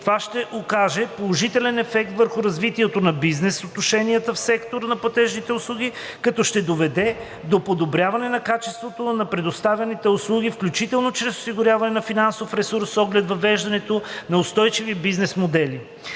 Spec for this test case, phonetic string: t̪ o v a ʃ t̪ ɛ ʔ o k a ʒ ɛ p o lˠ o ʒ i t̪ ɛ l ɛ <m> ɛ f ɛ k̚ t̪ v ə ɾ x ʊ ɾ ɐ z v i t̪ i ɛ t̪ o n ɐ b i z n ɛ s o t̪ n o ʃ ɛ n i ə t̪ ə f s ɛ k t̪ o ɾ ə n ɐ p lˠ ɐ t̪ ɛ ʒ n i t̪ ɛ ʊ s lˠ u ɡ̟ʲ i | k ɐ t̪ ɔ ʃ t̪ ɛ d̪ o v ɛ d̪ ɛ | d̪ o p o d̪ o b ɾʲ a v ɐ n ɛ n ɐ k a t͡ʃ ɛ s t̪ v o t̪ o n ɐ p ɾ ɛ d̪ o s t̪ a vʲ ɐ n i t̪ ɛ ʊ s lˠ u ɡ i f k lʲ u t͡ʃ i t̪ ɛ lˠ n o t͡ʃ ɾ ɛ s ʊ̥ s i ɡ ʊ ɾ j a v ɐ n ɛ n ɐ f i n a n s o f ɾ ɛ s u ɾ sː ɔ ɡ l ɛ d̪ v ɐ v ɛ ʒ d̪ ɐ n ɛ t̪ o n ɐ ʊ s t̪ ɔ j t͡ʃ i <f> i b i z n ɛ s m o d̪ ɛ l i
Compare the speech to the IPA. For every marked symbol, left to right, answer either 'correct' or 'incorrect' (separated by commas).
incorrect, incorrect